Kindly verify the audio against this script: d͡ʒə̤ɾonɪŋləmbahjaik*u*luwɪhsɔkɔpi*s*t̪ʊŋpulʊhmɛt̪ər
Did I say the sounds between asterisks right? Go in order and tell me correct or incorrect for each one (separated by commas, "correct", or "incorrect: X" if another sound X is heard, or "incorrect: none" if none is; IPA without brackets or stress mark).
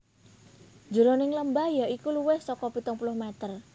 correct, incorrect: none